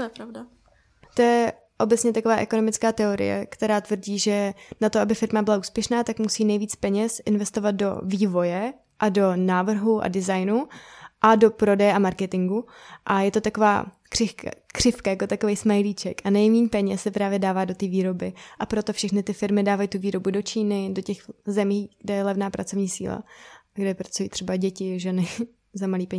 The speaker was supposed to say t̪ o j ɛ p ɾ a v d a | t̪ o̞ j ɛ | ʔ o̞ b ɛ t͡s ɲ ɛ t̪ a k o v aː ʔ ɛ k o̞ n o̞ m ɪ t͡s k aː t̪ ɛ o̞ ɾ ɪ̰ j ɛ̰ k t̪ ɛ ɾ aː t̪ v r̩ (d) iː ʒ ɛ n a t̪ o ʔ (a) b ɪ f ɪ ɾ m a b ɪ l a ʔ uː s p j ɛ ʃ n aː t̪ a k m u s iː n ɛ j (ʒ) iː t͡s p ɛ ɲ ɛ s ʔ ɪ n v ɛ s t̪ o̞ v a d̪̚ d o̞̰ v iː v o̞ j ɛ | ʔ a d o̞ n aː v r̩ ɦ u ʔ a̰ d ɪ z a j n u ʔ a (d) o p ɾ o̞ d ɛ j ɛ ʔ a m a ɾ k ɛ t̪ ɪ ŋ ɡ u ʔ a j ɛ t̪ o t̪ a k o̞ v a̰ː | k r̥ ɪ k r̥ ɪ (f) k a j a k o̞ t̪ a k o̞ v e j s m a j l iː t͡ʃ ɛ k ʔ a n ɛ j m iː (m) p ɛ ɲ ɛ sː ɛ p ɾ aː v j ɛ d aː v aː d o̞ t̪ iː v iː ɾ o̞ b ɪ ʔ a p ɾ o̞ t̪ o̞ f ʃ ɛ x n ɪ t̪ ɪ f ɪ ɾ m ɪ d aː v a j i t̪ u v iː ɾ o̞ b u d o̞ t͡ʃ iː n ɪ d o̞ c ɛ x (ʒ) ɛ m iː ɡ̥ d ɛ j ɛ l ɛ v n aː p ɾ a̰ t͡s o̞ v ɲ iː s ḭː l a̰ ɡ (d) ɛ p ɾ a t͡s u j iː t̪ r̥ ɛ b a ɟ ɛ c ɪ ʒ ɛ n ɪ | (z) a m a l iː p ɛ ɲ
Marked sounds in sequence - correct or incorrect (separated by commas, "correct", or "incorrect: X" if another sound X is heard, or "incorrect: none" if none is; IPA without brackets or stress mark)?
incorrect: ɟ, correct, incorrect: v, correct, correct, incorrect: ɲ, incorrect: z, correct, correct